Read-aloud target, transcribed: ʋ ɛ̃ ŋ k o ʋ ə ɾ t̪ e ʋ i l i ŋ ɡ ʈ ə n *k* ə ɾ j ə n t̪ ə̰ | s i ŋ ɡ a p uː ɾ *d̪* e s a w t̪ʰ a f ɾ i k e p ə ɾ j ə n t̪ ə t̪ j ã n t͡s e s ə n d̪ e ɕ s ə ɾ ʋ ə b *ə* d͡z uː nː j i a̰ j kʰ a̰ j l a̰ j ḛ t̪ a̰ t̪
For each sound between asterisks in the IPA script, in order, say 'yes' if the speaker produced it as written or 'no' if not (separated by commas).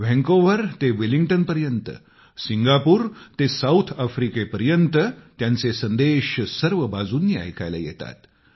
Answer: no, no, no